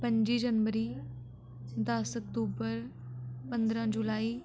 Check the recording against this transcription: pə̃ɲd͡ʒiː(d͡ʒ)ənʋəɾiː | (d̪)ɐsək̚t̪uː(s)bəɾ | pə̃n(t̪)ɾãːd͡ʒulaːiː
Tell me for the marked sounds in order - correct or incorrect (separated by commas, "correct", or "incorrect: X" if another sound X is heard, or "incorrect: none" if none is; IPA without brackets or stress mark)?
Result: correct, correct, incorrect: none, incorrect: d̪